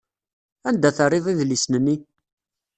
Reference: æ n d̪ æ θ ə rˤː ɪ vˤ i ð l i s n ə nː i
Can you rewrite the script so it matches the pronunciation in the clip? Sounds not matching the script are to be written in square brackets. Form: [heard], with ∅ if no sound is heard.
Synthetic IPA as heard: æ n d̪ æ θ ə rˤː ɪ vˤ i ð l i s n ə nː i